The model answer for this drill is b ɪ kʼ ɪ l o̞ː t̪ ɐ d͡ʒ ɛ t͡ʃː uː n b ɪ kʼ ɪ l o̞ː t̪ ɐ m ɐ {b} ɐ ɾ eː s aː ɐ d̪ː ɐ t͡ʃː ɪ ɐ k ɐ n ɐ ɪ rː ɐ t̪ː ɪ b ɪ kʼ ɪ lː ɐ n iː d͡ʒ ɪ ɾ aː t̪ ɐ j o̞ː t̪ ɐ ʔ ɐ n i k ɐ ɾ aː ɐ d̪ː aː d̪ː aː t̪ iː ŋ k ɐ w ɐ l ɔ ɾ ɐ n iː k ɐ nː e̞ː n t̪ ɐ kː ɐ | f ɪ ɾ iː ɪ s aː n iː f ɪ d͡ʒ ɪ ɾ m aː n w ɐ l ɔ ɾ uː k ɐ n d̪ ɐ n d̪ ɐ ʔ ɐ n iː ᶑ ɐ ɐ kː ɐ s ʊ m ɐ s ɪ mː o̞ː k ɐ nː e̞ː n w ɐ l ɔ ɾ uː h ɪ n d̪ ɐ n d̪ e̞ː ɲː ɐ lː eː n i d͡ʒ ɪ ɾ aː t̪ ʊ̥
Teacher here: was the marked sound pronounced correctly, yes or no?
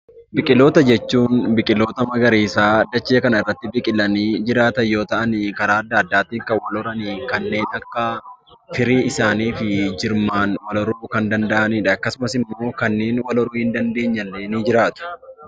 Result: no